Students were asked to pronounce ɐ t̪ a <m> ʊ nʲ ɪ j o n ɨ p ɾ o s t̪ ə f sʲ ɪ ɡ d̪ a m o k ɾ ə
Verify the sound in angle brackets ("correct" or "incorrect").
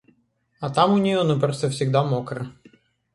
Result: correct